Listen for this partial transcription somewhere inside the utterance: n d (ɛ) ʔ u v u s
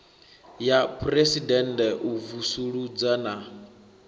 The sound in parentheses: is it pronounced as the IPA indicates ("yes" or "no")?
yes